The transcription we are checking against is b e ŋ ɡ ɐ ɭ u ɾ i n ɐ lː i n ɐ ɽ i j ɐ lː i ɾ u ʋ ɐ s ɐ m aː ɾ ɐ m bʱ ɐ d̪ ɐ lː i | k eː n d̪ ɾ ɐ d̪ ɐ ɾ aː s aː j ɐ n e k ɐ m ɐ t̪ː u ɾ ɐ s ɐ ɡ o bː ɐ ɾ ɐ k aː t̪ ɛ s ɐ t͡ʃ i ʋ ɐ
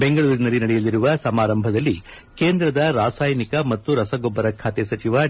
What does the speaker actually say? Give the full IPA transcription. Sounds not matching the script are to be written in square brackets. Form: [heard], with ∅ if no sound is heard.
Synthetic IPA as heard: b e ŋ ɡ ɐ ɭ [uː] ɾ i n ɐ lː i n ɐ ɽ [ɛ] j ɐ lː i ɾ u ʋ ɐ s ɐ m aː ɾ ɐ m bʱ ɐ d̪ ɐ lː i | k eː n d̪ ɾ ɐ d̪ ɐ ɾ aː s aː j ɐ n [i] k ɐ m ɐ t̪ː u ɾ ɐ s ɐ ɡ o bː ɐ ɾ ɐ [kʰ] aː t̪ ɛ s ɐ t͡ʃ i ʋ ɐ